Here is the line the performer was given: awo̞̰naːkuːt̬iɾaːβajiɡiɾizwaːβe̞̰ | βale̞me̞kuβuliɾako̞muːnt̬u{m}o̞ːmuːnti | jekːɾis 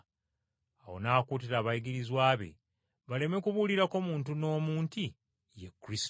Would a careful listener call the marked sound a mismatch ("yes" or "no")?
yes